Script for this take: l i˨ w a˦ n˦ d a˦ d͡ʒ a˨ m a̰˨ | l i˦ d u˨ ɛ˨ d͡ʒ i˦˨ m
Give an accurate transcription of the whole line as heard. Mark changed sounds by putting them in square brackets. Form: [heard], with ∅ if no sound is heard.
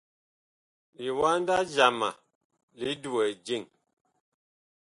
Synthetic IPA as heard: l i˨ w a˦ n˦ d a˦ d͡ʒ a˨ m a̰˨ | l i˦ d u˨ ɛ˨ d͡ʒ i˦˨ [ŋ]